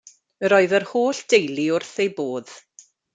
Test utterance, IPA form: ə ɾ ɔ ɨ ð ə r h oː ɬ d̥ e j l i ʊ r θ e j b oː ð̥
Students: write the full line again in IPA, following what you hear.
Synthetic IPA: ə ɾ ɔ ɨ ð ə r h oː ɬ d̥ e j l i ʊ r θ e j b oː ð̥